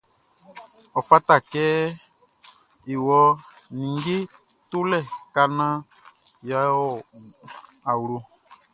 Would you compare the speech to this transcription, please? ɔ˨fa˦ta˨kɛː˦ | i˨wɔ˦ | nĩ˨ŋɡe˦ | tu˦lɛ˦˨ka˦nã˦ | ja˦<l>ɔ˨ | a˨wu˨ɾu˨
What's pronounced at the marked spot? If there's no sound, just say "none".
none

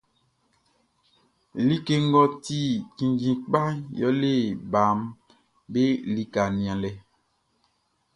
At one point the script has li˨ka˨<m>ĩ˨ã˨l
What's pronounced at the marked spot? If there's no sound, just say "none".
n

